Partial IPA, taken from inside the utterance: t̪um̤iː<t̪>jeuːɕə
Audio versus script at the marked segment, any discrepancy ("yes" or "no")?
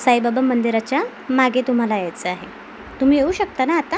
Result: yes